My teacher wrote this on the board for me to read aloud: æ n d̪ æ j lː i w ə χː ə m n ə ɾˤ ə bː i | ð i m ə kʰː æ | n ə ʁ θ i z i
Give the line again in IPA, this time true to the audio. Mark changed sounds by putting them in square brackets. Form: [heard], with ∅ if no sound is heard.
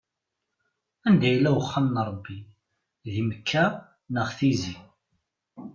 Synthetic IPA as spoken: æ n d̪ æ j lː [æ] w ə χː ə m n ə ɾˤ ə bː i | ð i m ə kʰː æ | n ə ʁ θ i z i